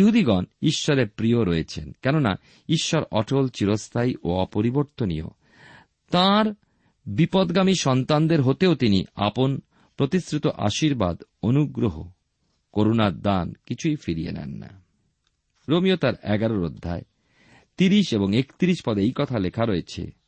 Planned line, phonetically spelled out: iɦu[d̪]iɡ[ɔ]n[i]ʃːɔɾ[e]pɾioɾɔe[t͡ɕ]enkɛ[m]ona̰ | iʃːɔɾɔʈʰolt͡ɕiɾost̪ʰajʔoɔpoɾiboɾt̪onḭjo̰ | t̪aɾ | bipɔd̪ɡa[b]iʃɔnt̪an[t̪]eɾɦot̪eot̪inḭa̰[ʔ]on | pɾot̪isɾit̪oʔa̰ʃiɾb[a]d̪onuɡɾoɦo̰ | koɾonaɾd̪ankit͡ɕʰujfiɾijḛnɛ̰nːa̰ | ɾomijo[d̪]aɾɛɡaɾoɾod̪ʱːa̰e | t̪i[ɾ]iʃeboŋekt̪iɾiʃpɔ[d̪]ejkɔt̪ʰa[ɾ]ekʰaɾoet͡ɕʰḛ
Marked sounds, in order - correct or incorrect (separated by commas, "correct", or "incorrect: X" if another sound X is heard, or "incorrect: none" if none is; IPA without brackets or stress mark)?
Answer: correct, correct, correct, correct, incorrect: t͡ɕʰ, incorrect: n, incorrect: m, incorrect: d̪, incorrect: p, correct, incorrect: t̪, correct, correct, incorrect: l